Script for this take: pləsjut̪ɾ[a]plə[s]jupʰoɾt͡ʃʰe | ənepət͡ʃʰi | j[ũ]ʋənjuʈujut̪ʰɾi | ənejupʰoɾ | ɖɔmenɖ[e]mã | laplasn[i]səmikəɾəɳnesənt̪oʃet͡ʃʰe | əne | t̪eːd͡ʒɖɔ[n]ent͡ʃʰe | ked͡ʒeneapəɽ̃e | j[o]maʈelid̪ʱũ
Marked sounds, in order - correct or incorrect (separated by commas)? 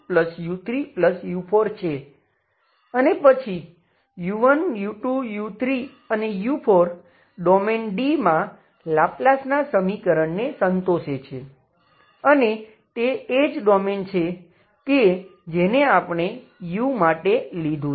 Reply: incorrect, correct, incorrect, incorrect, incorrect, incorrect, incorrect